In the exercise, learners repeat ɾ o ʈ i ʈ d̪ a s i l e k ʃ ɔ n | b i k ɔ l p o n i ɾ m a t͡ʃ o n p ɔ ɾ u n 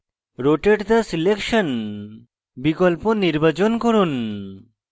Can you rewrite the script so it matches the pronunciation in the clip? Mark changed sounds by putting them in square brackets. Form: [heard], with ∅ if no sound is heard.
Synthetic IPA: ɾ o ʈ [e] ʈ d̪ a s i l e k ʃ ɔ n | b i k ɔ l p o n i ɾ [b] a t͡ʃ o n [k] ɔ ɾ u n